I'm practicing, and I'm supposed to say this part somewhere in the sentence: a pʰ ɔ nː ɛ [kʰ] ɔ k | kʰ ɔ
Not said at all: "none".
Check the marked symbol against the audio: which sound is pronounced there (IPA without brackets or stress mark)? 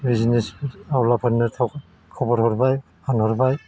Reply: tʰ